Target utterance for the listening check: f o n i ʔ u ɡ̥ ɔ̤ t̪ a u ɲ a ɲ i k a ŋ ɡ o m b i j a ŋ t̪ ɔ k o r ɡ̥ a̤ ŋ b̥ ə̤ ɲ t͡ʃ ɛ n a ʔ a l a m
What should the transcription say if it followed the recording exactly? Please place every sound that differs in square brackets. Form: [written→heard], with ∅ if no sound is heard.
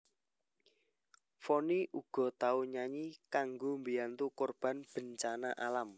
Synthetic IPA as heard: f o n i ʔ u ɡ̥ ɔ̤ t̪ a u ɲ a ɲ i k a ŋ ɡ o m b i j a [ŋ→n] t̪ [ɔ→u] k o r [ɡ̥→b̥] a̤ [ŋ→n] b̥ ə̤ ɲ t͡ʃ [ɛ→a] n a ʔ a l a m